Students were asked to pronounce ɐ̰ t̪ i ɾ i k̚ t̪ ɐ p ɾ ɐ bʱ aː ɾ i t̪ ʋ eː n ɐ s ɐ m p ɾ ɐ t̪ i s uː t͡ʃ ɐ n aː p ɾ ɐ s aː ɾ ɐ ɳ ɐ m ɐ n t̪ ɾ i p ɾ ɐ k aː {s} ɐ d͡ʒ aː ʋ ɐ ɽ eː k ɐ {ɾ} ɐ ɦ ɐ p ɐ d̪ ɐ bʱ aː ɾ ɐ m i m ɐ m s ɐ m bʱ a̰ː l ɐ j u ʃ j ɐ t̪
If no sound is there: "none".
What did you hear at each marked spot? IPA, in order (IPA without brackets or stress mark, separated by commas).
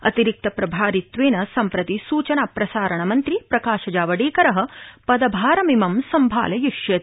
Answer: ʃ, ɾ